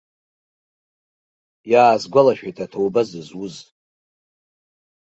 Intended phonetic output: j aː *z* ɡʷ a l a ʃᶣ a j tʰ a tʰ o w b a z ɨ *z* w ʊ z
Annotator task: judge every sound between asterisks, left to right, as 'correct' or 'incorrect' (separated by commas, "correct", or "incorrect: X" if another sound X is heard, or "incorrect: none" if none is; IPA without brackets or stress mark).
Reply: correct, correct